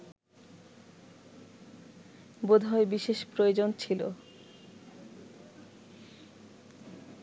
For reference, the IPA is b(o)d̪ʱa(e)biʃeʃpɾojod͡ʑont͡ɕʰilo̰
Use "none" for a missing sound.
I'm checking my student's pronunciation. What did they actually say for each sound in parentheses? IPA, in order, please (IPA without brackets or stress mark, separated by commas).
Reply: o, e